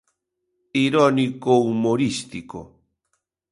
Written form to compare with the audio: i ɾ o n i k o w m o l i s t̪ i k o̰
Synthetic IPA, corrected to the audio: i ɾ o n i k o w m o ɾ i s t̪ i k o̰